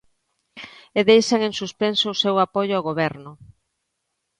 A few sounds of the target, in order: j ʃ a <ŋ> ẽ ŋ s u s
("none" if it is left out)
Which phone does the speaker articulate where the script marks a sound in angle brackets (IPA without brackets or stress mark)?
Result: ŋ